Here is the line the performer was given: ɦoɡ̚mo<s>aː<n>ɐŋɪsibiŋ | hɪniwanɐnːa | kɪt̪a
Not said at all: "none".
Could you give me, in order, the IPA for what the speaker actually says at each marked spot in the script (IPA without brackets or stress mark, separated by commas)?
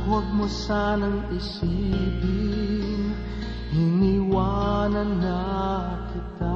s, n